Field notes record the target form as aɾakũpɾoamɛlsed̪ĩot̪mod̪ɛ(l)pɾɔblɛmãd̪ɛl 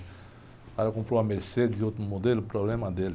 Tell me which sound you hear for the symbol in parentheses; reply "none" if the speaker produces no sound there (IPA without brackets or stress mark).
l